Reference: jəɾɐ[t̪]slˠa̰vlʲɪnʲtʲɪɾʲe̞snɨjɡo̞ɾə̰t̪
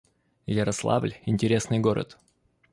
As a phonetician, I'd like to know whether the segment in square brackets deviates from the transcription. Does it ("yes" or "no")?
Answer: yes